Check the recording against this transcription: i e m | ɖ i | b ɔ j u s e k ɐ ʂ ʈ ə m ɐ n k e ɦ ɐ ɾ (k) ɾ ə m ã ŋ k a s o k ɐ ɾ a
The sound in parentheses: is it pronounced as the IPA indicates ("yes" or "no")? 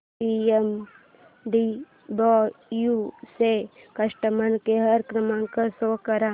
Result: yes